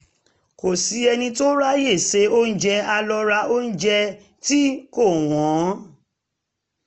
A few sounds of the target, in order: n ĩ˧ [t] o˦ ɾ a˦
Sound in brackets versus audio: correct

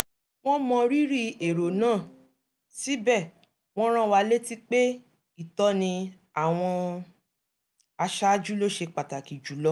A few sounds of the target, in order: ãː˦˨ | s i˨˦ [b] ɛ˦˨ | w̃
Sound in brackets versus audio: correct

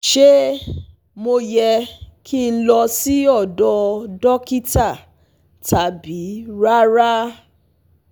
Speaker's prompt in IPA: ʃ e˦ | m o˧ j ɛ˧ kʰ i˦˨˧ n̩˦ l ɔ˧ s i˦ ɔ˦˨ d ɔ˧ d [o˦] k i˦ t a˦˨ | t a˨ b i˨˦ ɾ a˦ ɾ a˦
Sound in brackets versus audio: incorrect: ɔ˦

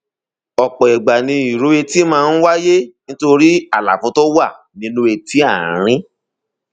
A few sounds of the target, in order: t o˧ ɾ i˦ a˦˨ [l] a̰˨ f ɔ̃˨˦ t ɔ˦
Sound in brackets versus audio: correct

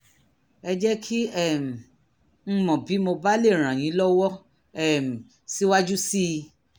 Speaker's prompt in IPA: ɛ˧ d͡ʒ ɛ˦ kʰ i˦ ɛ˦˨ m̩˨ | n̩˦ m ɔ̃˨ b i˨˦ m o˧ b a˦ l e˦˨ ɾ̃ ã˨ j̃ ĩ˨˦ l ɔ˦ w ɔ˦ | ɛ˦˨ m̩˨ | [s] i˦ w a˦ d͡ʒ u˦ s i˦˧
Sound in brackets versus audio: correct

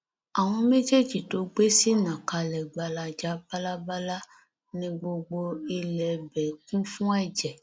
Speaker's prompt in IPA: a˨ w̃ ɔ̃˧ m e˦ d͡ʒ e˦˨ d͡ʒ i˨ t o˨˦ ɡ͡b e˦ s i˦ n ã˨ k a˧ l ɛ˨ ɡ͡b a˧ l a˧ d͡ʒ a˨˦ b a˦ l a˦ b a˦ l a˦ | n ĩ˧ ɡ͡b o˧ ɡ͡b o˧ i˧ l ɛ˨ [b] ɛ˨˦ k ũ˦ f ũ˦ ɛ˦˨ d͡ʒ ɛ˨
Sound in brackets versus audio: correct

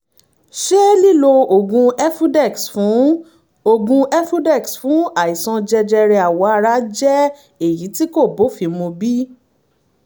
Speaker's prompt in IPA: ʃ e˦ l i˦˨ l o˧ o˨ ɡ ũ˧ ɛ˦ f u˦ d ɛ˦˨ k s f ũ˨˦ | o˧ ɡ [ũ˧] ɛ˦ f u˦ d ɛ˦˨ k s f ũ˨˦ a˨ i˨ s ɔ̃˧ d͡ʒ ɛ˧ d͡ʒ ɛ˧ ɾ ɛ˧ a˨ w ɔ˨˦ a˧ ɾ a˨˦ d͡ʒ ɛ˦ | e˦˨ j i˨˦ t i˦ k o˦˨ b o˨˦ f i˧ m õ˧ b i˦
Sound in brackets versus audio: correct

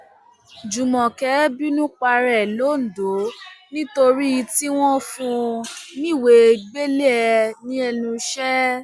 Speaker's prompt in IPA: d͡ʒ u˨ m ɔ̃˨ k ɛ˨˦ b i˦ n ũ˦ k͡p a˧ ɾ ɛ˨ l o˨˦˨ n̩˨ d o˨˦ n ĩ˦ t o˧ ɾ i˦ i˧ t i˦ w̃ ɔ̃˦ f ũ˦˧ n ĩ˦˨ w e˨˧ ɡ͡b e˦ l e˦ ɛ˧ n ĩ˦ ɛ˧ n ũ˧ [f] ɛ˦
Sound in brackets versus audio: incorrect: ʃ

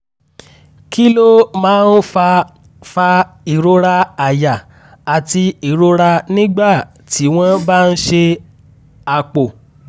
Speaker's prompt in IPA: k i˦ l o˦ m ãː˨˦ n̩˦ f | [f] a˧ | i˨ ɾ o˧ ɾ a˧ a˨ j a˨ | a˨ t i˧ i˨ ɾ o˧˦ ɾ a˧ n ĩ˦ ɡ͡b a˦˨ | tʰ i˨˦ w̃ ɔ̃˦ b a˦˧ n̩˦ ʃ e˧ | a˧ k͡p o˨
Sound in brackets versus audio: correct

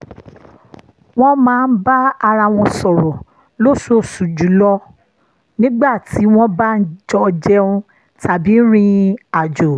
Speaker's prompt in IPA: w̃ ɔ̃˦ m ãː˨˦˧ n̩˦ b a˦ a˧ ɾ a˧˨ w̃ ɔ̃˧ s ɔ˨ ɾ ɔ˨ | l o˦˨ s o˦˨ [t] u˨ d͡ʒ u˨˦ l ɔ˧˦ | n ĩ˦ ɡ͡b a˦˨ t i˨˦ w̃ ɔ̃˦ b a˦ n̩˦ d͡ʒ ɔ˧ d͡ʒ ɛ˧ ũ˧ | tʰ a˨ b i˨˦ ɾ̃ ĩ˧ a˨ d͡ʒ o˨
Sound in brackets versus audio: incorrect: s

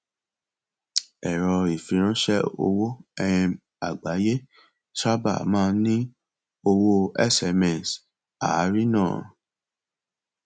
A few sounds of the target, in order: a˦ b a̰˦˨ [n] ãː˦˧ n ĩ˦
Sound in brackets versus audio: incorrect: m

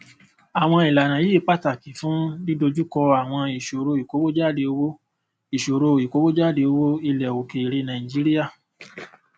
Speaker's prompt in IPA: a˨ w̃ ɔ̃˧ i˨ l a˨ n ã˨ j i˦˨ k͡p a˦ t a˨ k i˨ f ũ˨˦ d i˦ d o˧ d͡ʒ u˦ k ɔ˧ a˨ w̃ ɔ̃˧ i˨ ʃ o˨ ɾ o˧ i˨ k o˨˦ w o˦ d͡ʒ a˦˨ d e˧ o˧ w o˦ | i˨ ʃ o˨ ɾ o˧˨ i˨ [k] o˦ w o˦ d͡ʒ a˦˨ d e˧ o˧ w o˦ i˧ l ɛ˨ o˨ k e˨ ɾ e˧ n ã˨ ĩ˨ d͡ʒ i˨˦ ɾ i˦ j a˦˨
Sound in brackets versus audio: correct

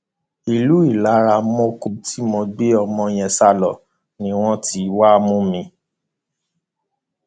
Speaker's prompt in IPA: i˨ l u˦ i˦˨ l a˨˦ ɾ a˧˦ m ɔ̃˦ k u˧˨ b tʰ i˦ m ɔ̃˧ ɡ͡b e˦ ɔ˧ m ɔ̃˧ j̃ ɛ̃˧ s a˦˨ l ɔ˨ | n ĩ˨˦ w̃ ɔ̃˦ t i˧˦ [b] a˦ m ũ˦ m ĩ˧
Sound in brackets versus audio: incorrect: w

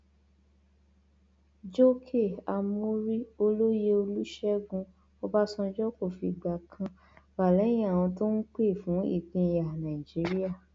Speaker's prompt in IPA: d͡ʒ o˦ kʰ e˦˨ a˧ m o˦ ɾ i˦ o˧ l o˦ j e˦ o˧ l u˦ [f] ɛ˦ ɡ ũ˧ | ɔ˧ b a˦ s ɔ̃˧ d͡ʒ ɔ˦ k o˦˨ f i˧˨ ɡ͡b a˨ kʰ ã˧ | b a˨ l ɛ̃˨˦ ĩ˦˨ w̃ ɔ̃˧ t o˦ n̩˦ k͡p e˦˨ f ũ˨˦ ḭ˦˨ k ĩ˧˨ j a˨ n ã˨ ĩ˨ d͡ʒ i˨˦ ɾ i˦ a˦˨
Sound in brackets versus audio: incorrect: ʃ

